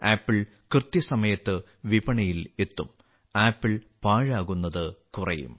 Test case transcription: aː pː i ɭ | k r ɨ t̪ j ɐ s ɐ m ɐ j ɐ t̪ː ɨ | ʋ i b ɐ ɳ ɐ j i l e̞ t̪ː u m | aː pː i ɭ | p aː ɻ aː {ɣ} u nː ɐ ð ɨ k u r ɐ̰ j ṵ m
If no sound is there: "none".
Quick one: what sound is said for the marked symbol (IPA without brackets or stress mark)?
ɣ